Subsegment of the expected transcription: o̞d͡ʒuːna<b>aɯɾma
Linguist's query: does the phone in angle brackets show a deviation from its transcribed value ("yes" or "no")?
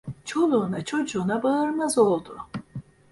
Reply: no